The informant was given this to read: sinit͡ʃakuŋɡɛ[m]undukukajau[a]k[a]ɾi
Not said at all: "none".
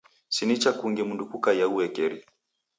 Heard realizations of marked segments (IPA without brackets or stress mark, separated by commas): m, ɛ, ɛ